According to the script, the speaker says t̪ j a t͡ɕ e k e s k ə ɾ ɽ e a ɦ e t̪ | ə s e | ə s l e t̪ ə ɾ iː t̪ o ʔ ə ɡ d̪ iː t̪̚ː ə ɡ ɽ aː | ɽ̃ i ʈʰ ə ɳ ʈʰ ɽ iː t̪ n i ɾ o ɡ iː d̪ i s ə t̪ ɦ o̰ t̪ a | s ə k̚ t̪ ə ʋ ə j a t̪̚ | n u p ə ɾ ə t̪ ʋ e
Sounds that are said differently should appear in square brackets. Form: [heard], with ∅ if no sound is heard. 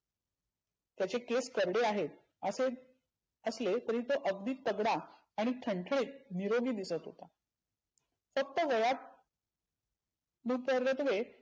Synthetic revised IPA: t̪ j a t͡ɕ e k e s k ə ɾ ɽ e a ɦ e t̪ | ə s e | ə s l e t̪ ə ɾ iː t̪ o ʔ ə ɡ d̪ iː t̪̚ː ə ɡ ɽ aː | ɽ̃ i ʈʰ ə ɳ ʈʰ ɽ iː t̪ n i ɾ o ɡ iː d̪ i s ə t̪ ɦ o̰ t̪ a | [f] ə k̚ t̪ ə ʋ ə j a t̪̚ | n u p ə ɾ ə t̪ ʋ e